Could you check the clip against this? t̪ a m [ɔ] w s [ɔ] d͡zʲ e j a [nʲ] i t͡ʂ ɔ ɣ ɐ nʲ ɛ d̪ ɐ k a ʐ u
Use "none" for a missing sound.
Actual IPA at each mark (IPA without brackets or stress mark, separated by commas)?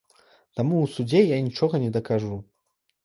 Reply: u, u, nʲ